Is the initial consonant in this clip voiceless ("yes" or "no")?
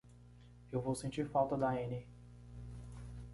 no